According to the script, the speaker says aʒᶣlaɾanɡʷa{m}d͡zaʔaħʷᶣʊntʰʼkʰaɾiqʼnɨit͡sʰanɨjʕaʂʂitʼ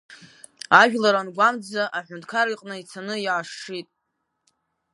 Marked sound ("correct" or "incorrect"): correct